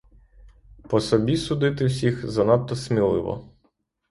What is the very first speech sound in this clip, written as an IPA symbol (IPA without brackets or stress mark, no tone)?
p